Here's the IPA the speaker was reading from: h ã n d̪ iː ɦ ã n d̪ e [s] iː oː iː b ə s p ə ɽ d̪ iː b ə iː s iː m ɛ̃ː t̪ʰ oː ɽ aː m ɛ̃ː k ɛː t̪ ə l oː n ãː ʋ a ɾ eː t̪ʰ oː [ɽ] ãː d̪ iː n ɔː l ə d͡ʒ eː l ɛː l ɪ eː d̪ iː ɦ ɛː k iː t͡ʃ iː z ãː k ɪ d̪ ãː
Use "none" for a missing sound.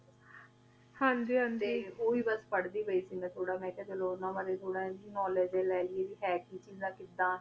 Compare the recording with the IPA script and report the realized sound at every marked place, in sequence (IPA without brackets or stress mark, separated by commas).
none, ɽ